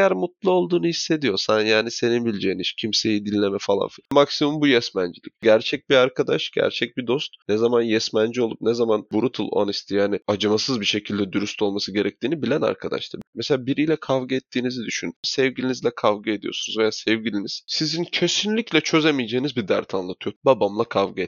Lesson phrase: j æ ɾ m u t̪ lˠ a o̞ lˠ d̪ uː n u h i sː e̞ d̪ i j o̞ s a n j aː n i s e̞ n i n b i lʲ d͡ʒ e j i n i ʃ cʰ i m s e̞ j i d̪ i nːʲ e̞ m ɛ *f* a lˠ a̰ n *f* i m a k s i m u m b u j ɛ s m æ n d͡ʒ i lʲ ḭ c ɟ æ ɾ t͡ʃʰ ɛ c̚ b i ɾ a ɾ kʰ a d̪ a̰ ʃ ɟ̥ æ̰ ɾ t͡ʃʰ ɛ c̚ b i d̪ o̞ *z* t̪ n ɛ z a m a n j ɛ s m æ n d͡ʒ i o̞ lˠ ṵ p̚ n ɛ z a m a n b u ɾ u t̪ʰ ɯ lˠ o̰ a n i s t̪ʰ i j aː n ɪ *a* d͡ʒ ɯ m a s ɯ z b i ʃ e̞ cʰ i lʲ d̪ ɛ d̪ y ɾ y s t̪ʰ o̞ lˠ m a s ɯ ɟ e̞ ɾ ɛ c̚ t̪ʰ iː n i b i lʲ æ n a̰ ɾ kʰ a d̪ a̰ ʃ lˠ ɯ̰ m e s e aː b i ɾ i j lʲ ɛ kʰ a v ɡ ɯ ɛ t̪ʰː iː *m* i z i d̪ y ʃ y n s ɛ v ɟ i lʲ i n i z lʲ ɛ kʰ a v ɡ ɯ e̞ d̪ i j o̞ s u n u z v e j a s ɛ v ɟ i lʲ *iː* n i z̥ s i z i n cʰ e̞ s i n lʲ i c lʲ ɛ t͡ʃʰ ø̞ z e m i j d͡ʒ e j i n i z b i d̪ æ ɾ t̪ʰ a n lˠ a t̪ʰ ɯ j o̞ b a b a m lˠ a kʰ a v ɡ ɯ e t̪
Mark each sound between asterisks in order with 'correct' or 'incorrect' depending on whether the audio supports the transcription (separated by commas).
correct, correct, incorrect, correct, incorrect, incorrect